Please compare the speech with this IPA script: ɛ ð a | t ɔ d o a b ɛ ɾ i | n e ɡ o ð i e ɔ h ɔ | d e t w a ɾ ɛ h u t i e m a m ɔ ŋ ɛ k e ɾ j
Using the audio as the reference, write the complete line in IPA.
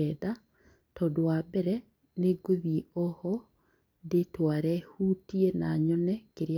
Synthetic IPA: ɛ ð a | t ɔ d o a b ɛ ɾ ɛ | n e ɡ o ð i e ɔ h ɔ | d e t w a ɾ ɛ h u t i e n a ɲ ɔ n ɛ k e ɾ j